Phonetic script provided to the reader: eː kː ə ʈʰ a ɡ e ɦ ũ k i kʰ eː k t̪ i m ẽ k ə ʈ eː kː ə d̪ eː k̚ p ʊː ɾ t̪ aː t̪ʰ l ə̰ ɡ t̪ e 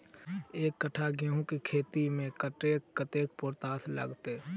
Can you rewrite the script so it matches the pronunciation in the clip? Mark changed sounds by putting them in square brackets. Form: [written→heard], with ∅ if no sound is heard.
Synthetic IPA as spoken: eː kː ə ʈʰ a ɡ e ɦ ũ k i kʰ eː [k→∅] t̪ i m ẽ k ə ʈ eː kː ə [d̪→t̪] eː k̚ p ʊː ɾ t̪ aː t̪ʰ l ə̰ ɡ t̪ e